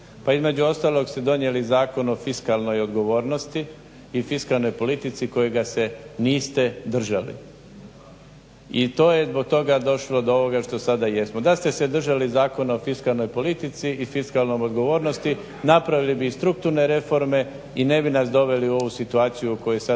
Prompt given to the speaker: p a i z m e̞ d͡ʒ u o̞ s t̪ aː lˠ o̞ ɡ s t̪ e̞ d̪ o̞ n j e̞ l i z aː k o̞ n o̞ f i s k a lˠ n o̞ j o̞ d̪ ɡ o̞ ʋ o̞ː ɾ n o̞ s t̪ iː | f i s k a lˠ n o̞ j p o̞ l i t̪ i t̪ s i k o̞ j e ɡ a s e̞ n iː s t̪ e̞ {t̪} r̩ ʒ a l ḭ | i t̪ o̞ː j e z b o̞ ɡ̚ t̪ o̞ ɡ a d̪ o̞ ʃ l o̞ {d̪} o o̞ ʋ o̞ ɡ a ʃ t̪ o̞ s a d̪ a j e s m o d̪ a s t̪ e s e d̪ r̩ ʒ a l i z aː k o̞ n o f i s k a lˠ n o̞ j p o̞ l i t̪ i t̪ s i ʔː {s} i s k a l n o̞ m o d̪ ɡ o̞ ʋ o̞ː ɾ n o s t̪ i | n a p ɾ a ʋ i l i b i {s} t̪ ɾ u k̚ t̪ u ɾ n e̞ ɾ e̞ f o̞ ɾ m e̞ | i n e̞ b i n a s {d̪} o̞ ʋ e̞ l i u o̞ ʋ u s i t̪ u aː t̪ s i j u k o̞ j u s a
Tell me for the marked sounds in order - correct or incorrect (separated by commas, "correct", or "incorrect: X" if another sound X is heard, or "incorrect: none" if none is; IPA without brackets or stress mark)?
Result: incorrect: d̪, correct, incorrect: f, correct, correct